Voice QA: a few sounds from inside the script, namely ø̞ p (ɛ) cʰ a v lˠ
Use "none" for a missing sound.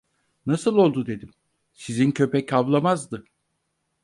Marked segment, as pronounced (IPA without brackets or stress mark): ɛ